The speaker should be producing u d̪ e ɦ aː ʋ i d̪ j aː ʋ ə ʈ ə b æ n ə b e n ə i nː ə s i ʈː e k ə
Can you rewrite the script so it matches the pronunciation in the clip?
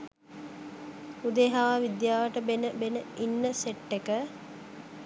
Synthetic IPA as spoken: u d̪ e ɦ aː ʋ i d̪ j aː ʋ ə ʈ ə b e n ə b e n ə i nː ə s e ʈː e k ə